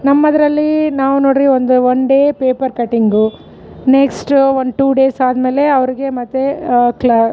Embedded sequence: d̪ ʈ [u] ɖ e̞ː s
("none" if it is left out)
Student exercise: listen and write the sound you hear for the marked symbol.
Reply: uː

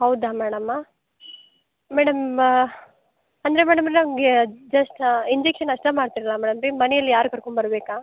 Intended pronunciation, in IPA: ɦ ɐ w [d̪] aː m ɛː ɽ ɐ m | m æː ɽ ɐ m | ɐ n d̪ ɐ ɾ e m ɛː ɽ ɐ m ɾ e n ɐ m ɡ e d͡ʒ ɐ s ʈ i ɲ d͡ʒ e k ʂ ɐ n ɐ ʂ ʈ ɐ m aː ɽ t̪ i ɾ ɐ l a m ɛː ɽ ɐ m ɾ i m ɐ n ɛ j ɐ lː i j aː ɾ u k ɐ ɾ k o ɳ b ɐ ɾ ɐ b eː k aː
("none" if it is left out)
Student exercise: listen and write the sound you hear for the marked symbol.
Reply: d̪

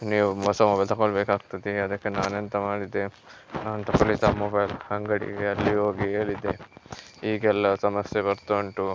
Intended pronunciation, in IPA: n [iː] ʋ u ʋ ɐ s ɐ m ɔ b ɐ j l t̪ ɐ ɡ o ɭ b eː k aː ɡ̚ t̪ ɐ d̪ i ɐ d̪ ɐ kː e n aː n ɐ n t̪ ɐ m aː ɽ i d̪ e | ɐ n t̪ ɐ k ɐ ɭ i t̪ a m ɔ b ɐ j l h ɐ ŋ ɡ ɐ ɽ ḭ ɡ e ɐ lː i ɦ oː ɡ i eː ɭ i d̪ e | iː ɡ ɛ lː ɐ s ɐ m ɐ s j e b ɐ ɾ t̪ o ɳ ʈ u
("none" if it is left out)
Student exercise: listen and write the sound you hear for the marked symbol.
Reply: iː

